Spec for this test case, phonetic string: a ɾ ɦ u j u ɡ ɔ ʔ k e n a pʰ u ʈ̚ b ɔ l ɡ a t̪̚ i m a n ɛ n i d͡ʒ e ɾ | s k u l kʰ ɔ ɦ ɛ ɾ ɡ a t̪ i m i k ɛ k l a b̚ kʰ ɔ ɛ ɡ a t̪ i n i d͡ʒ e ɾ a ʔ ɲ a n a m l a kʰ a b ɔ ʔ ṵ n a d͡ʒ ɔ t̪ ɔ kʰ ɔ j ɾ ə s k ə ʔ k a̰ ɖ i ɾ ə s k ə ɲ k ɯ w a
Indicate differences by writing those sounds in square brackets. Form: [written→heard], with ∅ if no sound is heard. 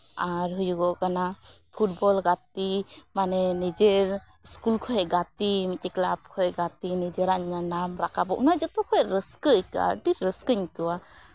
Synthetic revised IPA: a ɾ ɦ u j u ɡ ɔ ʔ k [e→a] n a pʰ u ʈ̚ b ɔ l ɡ a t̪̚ i m a n ɛ n i d͡ʒ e ɾ | s k u l kʰ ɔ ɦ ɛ [ɾ→∅] ɡ a t̪ i m i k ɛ k l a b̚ kʰ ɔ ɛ ɡ a t̪ i n i d͡ʒ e ɾ a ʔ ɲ a n a m [l→ɾ] a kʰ a b ɔ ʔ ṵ n a d͡ʒ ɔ t̪ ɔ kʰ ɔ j ɾ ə s k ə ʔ k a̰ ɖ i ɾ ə s k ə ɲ k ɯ w a